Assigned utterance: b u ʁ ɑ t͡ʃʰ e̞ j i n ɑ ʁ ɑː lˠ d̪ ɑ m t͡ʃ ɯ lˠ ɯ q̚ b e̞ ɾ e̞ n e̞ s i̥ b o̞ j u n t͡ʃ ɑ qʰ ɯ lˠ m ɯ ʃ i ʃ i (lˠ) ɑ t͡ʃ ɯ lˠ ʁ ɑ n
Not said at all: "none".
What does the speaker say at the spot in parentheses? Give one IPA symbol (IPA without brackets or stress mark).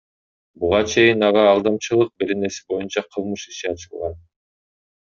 none